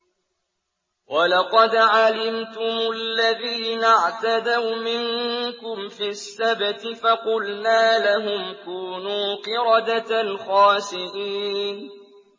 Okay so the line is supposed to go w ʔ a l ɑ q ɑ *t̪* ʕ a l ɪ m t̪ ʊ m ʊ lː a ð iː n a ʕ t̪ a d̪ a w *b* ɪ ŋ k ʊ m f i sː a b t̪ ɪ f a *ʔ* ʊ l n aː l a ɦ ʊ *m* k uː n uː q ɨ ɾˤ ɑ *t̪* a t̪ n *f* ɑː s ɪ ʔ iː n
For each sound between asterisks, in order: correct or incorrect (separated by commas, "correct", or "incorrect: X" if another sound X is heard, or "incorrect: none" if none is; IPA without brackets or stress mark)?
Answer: incorrect: d̪, incorrect: m, incorrect: q, correct, incorrect: d̪, incorrect: x